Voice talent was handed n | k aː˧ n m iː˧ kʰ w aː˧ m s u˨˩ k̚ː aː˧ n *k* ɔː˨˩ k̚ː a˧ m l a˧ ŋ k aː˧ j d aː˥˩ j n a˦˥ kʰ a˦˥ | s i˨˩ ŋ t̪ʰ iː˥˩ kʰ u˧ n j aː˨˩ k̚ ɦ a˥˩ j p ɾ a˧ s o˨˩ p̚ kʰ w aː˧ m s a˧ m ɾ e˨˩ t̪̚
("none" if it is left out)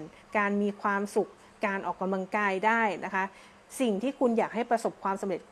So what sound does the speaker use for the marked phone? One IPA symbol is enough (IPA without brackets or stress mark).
ʔ